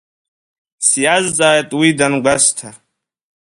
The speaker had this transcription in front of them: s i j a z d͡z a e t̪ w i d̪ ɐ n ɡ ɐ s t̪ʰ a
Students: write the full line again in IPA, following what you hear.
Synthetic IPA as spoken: s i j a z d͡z a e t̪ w i d̪ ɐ n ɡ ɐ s t̪ʰ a